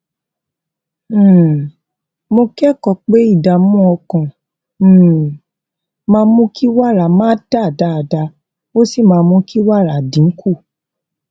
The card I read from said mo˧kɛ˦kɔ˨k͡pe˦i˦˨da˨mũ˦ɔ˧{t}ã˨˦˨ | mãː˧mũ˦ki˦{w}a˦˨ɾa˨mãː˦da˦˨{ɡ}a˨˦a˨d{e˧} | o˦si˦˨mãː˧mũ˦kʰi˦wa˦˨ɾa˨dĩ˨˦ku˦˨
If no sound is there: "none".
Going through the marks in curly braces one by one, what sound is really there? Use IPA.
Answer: k, w, d, a˧

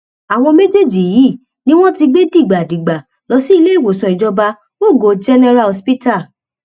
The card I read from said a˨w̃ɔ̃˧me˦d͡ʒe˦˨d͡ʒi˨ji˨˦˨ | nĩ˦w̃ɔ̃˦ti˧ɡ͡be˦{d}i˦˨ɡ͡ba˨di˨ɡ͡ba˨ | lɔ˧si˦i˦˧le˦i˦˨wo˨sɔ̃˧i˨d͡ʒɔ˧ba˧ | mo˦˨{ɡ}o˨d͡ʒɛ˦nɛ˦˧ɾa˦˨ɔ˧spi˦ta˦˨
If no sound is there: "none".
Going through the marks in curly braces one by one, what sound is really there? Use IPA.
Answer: d, ɡ

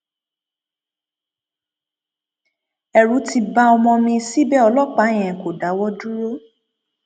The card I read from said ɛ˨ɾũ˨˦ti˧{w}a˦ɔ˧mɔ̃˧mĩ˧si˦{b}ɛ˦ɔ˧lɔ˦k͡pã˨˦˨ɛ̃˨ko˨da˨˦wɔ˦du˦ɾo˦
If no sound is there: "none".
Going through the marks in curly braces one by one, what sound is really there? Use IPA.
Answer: b, b

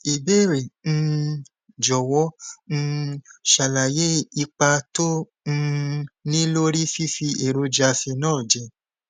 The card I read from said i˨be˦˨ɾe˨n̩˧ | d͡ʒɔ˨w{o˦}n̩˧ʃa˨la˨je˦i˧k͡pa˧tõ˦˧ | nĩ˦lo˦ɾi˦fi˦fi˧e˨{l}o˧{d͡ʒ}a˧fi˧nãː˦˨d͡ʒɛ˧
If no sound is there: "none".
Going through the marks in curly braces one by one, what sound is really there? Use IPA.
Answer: ɔ˦, ɾ, d͡ʒ

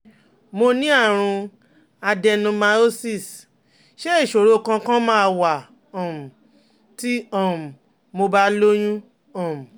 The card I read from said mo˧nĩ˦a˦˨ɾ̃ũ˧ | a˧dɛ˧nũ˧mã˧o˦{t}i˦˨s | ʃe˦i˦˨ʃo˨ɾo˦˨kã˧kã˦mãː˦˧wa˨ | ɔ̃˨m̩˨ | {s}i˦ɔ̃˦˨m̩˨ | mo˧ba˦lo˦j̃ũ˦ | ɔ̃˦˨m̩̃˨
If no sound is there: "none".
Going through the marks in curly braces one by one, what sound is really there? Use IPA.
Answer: s, t

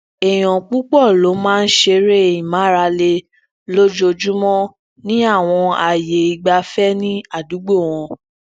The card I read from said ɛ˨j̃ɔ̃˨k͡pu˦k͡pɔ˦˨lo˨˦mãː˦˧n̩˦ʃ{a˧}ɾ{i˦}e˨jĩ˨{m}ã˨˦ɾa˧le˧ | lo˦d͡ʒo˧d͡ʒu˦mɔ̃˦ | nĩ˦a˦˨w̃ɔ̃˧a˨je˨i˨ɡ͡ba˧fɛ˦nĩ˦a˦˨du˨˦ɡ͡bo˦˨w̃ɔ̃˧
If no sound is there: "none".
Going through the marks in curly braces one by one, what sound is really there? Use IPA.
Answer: e˧, e˦, m

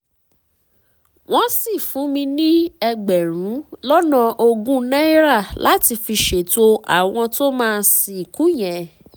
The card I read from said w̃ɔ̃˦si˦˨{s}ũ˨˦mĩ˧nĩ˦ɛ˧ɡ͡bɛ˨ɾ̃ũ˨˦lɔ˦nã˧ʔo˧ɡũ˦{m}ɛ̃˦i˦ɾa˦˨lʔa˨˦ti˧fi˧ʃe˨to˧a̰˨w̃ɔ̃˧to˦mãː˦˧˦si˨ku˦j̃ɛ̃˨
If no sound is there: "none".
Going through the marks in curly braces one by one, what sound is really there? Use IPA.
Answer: f, n

